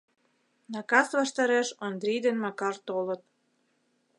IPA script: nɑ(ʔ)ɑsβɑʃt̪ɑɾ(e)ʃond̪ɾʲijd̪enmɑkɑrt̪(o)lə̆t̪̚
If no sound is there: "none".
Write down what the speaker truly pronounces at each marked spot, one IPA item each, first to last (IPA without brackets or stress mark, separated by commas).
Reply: k, e, o